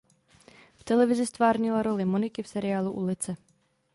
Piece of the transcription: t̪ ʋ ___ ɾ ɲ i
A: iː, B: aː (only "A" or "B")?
B